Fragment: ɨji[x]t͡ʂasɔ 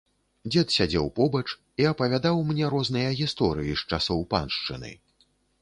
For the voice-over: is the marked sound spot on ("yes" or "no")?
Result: no